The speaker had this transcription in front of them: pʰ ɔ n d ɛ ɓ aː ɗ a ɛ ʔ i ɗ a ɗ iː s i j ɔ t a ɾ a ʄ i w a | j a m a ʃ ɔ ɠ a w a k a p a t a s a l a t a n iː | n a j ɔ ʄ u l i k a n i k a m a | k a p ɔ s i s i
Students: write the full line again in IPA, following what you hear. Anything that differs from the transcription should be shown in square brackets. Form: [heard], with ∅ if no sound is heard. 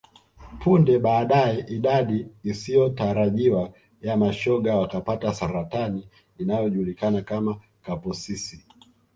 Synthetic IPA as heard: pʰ [u] n d ɛ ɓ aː ɗ a ɛ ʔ i ɗ a ɗ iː s i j ɔ t a ɾ a ʄ i w a | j a m a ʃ ɔ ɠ a w a k a p a t a s a [ɾ] a t a n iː | n a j ɔ ʄ u l i k a n [a] k a m a | k a p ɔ s i s i